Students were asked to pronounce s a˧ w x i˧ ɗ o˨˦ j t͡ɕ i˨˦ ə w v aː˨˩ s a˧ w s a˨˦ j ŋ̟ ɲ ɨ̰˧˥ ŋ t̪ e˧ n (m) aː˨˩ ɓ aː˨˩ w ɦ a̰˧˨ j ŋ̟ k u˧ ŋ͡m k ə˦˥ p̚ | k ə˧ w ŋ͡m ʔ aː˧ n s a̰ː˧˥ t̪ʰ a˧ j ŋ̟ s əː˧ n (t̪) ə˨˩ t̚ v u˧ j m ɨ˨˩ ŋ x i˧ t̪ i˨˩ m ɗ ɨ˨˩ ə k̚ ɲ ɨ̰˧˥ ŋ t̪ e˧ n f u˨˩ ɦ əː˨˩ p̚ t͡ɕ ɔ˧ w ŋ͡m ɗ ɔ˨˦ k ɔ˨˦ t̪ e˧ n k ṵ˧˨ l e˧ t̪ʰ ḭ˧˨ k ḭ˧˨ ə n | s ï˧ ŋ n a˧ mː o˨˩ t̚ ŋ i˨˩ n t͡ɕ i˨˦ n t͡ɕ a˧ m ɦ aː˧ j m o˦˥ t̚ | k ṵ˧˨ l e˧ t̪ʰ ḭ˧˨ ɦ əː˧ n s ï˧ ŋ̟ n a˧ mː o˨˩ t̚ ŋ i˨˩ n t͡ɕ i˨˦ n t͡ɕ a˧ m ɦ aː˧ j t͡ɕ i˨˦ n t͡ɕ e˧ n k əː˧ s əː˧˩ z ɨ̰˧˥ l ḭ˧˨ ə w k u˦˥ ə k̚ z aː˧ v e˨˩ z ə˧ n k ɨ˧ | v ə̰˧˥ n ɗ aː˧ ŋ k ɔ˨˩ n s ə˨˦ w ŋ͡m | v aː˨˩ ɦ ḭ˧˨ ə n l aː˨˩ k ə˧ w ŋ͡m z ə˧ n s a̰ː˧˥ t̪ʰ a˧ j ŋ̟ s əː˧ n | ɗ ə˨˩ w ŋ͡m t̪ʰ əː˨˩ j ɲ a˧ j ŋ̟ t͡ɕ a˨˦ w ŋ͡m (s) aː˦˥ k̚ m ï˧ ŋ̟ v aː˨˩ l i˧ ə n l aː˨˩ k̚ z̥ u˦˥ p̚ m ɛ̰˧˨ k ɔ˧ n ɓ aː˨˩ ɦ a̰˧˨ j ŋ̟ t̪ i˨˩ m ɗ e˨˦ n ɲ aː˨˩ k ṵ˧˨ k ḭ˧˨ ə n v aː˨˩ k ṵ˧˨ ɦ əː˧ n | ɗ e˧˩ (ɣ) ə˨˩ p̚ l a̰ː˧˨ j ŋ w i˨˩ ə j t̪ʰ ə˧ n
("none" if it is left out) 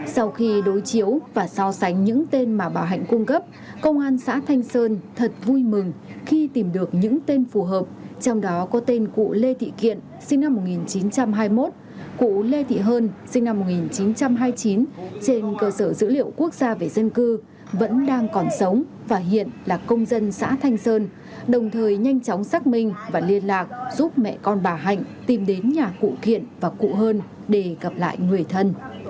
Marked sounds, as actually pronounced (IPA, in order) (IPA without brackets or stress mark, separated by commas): m, t̪ʰ, s, ɣ